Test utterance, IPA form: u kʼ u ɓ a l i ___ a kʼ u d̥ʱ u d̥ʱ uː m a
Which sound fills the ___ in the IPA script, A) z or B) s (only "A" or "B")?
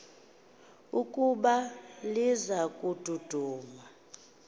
A